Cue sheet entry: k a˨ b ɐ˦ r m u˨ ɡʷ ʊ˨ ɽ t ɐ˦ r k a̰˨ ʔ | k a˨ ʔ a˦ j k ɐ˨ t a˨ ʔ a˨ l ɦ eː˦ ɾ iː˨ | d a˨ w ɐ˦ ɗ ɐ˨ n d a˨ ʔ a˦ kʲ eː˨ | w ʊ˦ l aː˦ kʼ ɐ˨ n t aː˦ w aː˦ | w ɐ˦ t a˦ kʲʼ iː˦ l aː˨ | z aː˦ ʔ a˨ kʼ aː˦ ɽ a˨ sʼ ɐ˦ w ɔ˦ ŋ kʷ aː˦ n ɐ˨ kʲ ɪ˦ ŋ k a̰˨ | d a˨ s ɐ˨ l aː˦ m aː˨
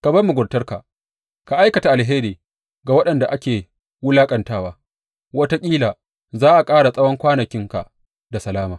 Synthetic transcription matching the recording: k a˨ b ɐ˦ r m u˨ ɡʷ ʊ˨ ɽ t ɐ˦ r k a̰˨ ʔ | k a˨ ʔ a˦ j k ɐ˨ t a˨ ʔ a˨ l ɦ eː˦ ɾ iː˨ | ɡ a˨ w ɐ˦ ɗ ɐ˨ n d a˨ ʔ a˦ kʲ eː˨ | w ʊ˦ l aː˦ kʼ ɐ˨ n t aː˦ w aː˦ | w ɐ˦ t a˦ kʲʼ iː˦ l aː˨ | z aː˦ ʔ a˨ kʼ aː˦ ɽ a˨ sʼ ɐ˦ w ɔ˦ ŋ kʷ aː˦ n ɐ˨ kʲ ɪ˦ ŋ k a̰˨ | d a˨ s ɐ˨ l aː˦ m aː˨